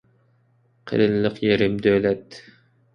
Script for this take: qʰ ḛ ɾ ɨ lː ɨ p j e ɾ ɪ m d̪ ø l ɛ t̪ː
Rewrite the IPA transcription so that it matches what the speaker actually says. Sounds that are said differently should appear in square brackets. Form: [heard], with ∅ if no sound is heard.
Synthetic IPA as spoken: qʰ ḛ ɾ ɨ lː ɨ [q] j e ɾ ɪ m d̪ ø l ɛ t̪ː

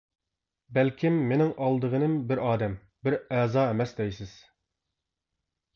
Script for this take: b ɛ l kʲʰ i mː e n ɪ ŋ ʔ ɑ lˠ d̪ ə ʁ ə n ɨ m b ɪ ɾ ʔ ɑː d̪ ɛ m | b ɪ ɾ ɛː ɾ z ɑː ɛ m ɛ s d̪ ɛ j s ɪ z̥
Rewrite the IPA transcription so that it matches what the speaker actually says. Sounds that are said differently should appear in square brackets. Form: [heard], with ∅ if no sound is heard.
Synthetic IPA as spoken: b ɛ l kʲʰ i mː e n ɪ ŋ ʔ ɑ lˠ d̪ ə ʁ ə n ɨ m b ɪ ɾ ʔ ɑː d̪ ɛ m | b ɪ ɾ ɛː [∅] z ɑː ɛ m ɛ s d̪ ɛ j s ɪ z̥

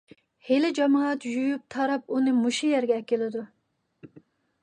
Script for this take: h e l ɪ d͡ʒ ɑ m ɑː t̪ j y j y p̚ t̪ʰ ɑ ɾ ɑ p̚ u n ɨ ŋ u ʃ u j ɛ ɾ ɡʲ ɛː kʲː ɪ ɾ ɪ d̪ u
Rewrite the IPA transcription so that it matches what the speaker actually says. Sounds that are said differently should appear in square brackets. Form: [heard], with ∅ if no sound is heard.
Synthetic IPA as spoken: h e l ɪ d͡ʒ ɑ m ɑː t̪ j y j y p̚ t̪ʰ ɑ ɾ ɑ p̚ u n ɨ [m] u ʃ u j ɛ ɾ ɡʲ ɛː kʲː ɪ [l] ɪ d̪ u

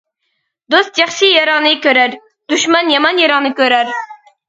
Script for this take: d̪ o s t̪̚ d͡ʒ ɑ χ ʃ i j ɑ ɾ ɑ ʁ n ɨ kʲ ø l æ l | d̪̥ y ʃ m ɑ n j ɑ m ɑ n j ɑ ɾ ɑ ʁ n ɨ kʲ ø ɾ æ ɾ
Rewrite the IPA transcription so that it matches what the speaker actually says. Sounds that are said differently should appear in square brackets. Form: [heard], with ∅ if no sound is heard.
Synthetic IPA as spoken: d̪ o s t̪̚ d͡ʒ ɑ χ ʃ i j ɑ ɾ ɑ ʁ n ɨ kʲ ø [ɾ] æ [ɾ] | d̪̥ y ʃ m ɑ n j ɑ m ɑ n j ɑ ɾ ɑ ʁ n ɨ kʲ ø ɾ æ ɾ

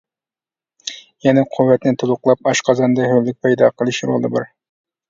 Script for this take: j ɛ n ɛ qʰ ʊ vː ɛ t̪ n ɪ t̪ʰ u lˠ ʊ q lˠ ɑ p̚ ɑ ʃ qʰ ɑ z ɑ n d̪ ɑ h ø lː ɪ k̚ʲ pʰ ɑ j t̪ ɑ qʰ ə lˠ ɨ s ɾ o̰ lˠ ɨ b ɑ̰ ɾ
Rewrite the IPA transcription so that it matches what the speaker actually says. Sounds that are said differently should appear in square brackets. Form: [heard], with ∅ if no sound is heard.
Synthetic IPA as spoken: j ɛ n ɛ qʰ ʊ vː ɛ t̪ n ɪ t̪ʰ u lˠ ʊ q lˠ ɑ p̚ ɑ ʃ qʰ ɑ z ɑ n d̪ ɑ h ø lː ɪ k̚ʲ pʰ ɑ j [d̪] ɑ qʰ ə lˠ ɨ [ʃ] ɾ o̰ lˠ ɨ b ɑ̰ ɾ

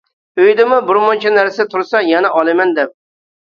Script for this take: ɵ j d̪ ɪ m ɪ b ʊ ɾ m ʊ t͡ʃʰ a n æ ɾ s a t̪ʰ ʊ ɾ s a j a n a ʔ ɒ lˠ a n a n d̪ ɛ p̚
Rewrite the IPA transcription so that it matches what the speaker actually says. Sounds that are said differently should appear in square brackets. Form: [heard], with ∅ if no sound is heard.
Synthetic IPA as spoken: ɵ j d̪ ɪ m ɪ b ʊ ɾ m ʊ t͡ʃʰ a n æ ɾ s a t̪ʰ ʊ ɾ s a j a n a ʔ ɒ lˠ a [m] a n d̪ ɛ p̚

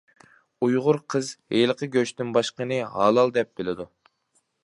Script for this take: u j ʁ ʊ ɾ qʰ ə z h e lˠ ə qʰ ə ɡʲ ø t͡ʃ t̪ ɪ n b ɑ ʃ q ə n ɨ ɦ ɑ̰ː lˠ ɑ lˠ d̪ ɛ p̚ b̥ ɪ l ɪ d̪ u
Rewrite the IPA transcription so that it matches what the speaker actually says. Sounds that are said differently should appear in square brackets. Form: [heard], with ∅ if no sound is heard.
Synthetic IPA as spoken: u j ʁ ʊ ɾ qʰ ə z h e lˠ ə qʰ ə ɡʲ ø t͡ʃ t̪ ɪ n b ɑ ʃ q ə n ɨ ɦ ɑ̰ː lˠ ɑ lˠ d̪ ɛ p̚ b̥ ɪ l ɪ d̪ u

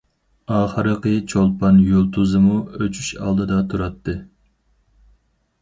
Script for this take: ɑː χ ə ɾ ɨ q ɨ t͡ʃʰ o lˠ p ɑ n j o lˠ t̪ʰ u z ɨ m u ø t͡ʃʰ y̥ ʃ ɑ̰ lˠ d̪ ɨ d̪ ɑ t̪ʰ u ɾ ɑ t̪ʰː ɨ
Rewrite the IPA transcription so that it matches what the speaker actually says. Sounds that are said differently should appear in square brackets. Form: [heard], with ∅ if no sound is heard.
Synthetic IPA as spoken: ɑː χ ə ɾ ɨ q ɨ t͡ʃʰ o lˠ p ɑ n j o lˠ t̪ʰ u z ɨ m u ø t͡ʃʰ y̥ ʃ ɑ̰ lˠ d̪ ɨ d̪ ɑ t̪ʰ u ɾ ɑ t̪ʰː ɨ

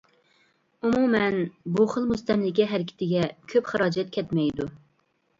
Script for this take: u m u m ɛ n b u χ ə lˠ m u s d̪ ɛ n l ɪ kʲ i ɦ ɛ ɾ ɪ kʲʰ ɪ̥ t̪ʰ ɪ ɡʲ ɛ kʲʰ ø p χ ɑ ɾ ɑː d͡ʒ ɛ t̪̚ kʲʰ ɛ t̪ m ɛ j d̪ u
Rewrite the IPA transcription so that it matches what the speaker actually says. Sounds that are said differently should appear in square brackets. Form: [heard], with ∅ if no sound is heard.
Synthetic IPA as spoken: u m u m ɛ n b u χ ə lˠ m u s [t̪] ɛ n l ɪ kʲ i ɦ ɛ ɾ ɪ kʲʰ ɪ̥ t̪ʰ ɪ ɡʲ ɛ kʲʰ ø p χ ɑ ɾ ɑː d͡ʒ ɛ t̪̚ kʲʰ ɛ t̪ m ɛ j d̪ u

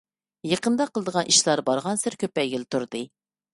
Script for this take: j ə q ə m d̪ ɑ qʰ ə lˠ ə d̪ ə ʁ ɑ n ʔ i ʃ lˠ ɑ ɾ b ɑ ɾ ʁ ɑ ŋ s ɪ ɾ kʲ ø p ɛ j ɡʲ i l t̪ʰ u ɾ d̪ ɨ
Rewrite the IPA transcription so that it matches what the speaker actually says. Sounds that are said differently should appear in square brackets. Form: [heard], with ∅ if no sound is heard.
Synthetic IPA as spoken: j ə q ə [n] d̪ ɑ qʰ ə lˠ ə d̪ ə ʁ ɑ n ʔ i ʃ lˠ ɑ ɾ b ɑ ɾ ʁ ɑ [n] s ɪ ɾ kʲ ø p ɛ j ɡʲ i l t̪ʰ u ɾ d̪ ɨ

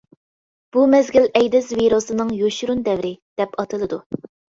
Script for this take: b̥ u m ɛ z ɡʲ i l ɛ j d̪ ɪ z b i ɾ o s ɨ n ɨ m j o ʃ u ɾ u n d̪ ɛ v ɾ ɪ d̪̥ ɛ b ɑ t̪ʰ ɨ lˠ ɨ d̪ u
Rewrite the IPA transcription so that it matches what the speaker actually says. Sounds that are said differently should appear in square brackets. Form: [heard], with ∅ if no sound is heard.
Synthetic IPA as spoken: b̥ u m ɛ z ɡʲ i l ɛ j d̪ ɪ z [v] i ɾ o s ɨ n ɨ [ŋ] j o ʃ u ɾ u n d̪ ɛ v ɾ ɪ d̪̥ ɛ [p] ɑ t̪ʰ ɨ lˠ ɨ d̪ u

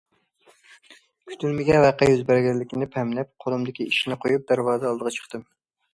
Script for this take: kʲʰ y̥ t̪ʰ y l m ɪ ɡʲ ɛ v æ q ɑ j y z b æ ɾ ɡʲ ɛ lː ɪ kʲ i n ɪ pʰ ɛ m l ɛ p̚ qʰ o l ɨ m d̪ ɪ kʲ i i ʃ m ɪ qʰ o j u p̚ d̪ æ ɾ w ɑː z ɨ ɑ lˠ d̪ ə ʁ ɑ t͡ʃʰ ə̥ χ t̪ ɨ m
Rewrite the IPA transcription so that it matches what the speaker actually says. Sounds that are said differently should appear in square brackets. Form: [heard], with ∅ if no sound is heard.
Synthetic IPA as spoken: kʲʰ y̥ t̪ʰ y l m ɪ ɡʲ ɛ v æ q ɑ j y z b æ ɾ ɡʲ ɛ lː ɪ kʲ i n ɪ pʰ ɛ m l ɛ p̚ qʰ o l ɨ m d̪ ɪ kʲ i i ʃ [n] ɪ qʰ o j u p̚ d̪ æ ɾ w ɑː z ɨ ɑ lˠ d̪ ə ʁ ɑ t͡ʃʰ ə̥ χ t̪ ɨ m

